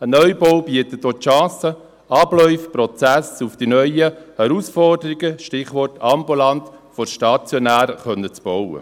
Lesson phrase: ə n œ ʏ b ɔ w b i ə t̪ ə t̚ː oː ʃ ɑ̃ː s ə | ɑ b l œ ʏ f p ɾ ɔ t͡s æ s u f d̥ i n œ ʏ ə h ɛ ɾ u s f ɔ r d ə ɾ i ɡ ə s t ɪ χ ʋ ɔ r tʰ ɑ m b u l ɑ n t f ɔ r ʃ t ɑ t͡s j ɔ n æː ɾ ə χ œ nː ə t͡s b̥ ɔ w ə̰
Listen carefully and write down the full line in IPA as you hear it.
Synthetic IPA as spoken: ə n œ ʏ b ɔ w b i ə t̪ ə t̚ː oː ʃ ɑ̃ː s ə | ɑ b l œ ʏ f p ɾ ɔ t͡s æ s u f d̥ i n œ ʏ ə h ɛ ɾ u s f ɔ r d ə ɾ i ɡ ə ʃ t ɪ χ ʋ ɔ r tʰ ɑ m b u l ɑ n t f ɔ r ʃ t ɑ t͡s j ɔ n æː ɾ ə χ œ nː ə t͡s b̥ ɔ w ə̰